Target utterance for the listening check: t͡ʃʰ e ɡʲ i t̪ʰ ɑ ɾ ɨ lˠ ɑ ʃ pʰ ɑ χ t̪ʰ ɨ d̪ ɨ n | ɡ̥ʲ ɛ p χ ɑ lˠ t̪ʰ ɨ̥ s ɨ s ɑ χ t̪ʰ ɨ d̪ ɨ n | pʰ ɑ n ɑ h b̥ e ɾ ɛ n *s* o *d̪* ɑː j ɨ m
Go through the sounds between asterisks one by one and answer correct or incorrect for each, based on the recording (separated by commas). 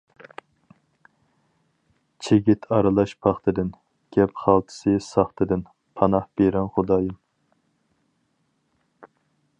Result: incorrect, correct